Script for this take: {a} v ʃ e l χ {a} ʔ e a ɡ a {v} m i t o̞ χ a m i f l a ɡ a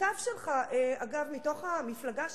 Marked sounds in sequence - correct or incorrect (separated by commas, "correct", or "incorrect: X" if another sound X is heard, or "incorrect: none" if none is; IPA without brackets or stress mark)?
correct, correct, correct